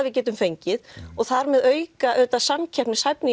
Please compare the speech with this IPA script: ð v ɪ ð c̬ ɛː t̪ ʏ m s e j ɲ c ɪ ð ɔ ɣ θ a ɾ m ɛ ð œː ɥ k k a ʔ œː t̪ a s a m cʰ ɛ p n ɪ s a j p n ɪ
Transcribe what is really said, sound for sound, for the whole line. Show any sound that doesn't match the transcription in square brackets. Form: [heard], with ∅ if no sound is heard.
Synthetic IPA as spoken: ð v ɪ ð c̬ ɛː t̪ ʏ m [f] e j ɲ c ɪ ð ɔ ɣ θ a ɾ m ɛ ð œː ɥ k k a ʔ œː t̪ a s a m cʰ ɛ p n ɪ s a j p n ɪ